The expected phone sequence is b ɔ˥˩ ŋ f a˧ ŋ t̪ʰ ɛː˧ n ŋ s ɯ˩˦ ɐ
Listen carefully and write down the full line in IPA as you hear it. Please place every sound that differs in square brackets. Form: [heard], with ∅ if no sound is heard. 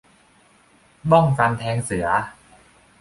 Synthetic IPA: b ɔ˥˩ ŋ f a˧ [n] t̪ʰ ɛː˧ [∅] ŋ s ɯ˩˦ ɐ